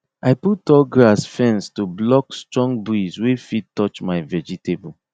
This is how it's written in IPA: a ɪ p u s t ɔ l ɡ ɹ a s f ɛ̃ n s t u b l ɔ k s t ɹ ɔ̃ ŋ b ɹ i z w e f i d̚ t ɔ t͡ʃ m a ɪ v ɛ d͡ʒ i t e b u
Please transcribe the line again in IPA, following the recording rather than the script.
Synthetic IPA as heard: a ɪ p u t ɔ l ɡ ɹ a s f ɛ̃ n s t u b l ɔ k s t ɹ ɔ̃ ŋ b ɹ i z w e f i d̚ t ɔ t͡ʃ m a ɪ v ɛ d͡ʒ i t e b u